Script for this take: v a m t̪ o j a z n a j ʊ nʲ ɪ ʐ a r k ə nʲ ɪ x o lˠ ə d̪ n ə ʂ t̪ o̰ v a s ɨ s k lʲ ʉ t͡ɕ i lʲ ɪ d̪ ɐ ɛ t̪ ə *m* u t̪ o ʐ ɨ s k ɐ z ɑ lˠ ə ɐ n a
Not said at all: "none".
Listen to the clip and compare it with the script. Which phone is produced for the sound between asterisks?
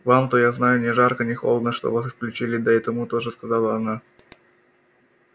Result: m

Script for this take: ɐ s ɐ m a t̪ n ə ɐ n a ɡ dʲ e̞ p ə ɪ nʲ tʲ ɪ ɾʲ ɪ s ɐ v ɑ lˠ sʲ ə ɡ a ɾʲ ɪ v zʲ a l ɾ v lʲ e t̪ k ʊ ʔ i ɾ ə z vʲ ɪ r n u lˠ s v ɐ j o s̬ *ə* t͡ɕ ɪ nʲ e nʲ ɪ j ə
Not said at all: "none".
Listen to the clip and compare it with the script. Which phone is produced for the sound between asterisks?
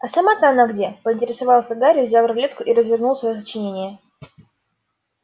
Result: ə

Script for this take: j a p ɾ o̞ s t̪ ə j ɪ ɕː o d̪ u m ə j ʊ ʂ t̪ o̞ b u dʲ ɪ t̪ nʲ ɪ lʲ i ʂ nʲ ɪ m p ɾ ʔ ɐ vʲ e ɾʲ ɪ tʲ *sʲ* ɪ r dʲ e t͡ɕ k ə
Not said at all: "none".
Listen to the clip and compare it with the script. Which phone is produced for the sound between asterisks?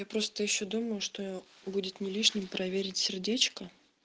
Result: sʲ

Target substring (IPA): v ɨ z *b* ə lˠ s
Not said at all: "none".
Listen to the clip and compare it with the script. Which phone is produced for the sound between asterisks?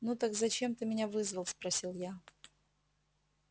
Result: v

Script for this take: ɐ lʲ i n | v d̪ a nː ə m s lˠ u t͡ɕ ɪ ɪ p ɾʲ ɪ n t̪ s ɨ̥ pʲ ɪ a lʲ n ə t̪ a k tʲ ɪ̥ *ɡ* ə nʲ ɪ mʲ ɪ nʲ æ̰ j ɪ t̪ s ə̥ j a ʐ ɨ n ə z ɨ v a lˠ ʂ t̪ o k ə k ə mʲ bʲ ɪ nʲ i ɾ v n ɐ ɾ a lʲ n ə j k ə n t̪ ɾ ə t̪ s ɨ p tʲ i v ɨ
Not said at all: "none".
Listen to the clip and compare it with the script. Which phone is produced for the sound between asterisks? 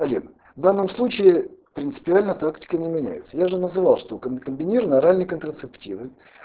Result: k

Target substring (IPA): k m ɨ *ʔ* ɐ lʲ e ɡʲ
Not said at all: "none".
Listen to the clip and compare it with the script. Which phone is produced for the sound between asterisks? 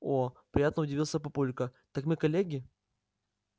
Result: k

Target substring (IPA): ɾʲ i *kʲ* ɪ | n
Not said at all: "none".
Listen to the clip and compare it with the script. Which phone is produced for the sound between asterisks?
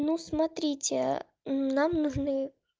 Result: tʲ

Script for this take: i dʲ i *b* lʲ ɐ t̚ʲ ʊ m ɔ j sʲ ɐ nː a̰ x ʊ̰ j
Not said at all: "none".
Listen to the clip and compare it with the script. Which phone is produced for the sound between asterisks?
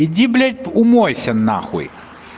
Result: b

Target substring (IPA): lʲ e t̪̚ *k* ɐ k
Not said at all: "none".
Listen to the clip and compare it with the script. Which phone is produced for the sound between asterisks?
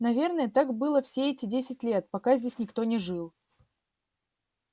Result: p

